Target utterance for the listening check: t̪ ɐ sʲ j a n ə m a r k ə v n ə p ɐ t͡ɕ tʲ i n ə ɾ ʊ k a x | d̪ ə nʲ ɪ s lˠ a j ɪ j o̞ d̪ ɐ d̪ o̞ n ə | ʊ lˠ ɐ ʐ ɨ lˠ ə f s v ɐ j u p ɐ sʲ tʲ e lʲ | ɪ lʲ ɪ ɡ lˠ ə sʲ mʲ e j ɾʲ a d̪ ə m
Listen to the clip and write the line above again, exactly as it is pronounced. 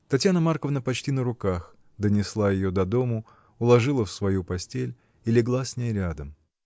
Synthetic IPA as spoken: t̪ ɐ tʲ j a n ə m a r k ə v n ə p ɐ t͡ɕ tʲ i n ə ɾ ʊ k a x | d̪ ə nʲ ɪ s lˠ a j ɪ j o̞ d̪ ɐ d̪ o̞ m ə | ʊ lˠ ɐ ʐ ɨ lˠ ə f s v ɐ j u p ɐ sʲ tʲ e lʲ | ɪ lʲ ɪ ɡ lˠ a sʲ nʲ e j ɾʲ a d̪ ə m